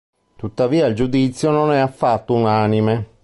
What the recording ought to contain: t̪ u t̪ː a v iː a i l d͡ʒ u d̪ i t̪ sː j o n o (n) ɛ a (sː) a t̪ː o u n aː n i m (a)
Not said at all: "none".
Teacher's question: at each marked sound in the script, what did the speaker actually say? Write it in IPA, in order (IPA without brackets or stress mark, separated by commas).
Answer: n, fː, e